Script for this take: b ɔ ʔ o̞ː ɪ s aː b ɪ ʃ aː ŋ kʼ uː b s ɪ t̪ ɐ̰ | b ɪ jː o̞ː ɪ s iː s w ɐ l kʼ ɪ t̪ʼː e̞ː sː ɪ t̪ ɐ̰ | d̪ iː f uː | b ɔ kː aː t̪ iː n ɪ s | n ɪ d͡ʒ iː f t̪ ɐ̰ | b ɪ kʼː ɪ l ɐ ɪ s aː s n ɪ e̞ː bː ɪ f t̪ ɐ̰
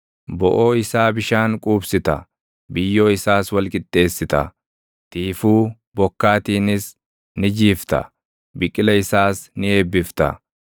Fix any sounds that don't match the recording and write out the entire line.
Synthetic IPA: b ɔ ʔ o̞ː ɪ s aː b ɪ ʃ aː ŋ kʼ uː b s ɪ t̪ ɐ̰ | b ɪ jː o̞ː ɪ s aː s w ɐ l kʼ ɪ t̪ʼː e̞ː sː ɪ t̪ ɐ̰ | t̪ iː f uː | b ɔ kː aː t̪ iː n ɪ s | n ɪ d͡ʒ iː f t̪ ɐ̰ | b ɪ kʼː ɪ l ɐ ɪ s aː s n ɪ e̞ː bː ɪ f t̪ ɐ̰